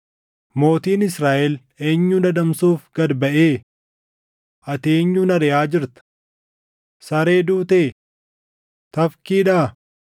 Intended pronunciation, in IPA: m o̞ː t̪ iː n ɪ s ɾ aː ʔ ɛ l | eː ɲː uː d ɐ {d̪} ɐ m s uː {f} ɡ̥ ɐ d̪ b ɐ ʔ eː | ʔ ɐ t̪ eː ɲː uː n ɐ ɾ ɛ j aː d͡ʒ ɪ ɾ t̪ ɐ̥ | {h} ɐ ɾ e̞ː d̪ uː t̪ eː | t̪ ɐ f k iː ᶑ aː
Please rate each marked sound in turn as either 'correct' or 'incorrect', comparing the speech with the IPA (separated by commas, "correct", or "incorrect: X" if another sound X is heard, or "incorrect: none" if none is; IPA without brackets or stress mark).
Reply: correct, correct, incorrect: s